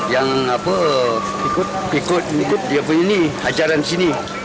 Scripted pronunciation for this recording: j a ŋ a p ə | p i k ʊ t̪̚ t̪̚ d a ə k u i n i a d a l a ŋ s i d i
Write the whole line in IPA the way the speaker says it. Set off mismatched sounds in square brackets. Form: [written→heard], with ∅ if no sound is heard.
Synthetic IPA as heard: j a ŋ a p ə | p i k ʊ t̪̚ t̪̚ d [a→i] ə [k→p] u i n i a [d→d͡ʒ] a [l→ɾ] a [ŋ→n] s i [d→n] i

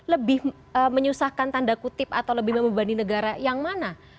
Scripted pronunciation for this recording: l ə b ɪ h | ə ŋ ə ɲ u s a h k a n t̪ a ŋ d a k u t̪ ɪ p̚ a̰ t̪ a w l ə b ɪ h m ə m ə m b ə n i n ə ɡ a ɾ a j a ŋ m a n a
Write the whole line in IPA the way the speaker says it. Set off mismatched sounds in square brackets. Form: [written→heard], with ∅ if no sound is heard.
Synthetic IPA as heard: l ə b ɪ h | ə [ŋ→m] ə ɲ u s a h k a n t̪ a [ŋ→n] d a k u t̪ ɪ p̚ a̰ t̪ a w l ə b ɪ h m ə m ə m b [ə→a] n i n ə ɡ a ɾ a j a ŋ m a n a

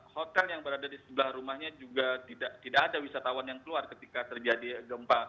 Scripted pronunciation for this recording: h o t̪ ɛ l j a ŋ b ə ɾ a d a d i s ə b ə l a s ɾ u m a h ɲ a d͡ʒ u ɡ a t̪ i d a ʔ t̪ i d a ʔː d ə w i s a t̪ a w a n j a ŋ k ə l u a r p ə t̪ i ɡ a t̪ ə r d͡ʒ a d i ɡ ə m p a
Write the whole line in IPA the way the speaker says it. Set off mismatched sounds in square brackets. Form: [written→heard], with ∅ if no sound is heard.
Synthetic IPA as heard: h o t̪ ɛ l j a ŋ b ə ɾ a d a d i s ə b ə l a [s→h] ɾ u m a h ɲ a d͡ʒ u ɡ a t̪ i d a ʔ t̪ i d a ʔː d [ə→a] w i s a t̪ a w a n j a ŋ k ə l u a r [p→k] ə t̪ i [ɡ→k] a t̪ ə r d͡ʒ a d i ɡ ə m p a

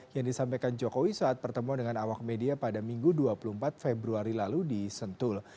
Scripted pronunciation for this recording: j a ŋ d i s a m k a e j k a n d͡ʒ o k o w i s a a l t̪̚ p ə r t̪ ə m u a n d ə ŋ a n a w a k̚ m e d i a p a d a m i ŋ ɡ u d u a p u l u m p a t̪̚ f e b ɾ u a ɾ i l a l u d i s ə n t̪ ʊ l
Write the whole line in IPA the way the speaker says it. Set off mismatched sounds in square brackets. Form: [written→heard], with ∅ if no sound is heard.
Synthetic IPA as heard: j a ŋ d i s a m [k→p] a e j k a n d͡ʒ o k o w i s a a [l→∅] t̪̚ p ə r t̪ ə m u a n d ə ŋ a n a w a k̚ m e d i a p a d a m i ŋ ɡ u d u a p u l u m p a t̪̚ f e b ɾ u a ɾ i l a l u d i s ə n t̪ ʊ l

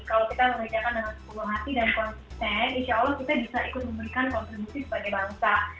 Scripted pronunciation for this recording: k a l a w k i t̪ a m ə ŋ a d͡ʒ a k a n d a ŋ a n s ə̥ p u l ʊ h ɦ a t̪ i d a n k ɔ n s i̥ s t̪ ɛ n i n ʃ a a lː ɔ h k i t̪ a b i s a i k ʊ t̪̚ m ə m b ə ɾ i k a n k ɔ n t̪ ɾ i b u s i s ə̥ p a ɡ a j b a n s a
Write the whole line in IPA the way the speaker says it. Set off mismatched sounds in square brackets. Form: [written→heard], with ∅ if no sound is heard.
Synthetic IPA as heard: k a l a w k i t̪ a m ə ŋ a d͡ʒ a k a n d a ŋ a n s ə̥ p u l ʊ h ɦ a t̪ i d a n k ɔ n s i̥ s t̪ ɛ n i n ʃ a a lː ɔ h k i t̪ a b i s a i k ʊ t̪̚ m ə m b ə ɾ i k a n k ɔ n t̪ ɾ i b u s i s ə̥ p a ɡ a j b a [n→ŋ] s a

